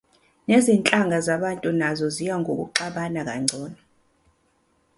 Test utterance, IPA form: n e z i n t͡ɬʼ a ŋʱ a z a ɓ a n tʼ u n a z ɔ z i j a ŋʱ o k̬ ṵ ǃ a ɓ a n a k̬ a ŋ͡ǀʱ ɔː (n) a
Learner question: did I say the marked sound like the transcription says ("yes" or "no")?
yes